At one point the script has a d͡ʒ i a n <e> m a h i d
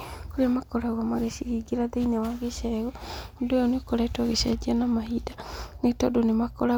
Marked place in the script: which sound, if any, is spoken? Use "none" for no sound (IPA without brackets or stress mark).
a